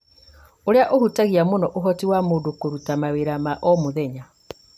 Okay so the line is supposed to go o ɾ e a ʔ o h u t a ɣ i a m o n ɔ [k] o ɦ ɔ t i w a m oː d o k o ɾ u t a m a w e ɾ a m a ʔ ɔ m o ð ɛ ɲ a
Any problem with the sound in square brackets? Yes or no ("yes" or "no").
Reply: yes